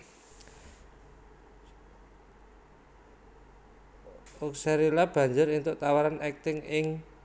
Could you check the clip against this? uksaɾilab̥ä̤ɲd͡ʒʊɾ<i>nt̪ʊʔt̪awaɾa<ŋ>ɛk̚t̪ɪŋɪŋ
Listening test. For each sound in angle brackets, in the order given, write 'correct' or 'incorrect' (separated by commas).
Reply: correct, incorrect